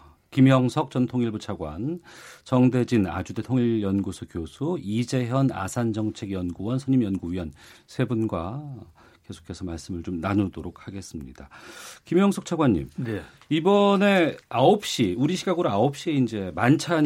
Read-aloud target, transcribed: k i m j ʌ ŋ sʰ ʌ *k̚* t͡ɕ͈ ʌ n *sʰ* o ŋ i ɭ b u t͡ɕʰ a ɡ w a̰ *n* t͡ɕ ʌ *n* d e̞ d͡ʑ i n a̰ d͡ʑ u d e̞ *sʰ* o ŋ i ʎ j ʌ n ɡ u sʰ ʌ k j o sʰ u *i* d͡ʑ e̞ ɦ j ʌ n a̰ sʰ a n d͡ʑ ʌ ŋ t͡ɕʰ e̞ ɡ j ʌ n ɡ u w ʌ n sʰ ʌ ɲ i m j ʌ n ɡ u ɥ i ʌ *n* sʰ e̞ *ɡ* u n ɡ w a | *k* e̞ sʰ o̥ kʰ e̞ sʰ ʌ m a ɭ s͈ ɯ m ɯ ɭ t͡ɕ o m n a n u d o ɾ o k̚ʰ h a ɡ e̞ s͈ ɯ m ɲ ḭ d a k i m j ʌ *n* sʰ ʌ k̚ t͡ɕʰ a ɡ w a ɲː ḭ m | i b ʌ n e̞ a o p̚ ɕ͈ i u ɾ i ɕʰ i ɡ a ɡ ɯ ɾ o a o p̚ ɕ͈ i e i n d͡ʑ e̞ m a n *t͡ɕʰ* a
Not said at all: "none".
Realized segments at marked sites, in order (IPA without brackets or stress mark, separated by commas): k̚, tʰ, n, ŋ, tʰ, i, n, b, k, ŋ, t͡ɕʰ